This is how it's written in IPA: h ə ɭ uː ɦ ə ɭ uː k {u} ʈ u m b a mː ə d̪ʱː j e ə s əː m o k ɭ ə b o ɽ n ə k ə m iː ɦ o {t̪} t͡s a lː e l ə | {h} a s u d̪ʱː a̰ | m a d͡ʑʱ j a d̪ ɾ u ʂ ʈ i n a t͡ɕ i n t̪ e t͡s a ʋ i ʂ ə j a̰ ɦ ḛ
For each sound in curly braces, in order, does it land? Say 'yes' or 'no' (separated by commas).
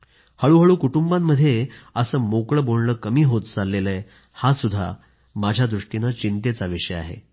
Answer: yes, yes, yes